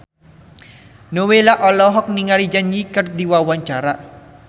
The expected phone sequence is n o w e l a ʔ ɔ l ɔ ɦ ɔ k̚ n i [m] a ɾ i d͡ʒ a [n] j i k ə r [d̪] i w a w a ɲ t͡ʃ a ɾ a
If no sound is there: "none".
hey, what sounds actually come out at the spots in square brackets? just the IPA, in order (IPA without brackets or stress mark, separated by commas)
ŋ, n, d̪